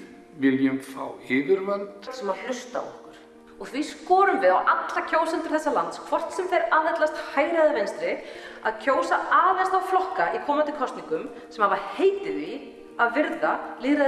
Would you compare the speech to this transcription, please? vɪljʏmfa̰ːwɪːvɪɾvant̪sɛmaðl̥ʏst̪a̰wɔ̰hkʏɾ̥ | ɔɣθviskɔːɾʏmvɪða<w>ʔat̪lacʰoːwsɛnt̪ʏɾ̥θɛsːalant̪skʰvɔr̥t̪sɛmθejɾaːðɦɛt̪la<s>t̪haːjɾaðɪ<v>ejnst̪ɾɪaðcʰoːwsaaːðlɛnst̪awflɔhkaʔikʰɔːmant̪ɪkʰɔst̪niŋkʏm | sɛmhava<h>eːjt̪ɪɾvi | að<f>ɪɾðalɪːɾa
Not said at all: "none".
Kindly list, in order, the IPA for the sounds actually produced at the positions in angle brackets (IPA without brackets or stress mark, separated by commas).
w, s, v, h, v